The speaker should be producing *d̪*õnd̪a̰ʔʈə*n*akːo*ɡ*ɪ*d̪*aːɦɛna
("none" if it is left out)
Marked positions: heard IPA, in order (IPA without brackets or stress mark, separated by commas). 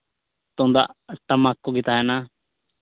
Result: t̪, m, ɡ, t̪